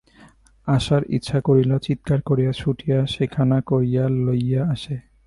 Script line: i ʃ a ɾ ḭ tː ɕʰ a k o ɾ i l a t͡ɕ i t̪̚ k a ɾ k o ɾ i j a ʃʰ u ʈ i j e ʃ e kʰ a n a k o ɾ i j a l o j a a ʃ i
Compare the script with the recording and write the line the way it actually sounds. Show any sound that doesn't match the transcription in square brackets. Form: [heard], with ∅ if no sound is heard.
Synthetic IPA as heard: [a] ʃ a ɾ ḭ tː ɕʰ a k o ɾ i l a t͡ɕ i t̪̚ k a ɾ k o ɾ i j a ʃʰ u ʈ i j [a] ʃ e kʰ a n a k o ɾ i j a l o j a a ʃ [e]